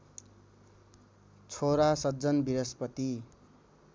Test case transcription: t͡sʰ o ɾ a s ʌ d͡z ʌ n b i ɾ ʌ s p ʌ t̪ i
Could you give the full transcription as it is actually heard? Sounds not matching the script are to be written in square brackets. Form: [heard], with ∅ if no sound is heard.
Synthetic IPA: t͡sʰ o ɾ a s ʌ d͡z ʌ n b i ɾ ʌ s p ʌ t̪ i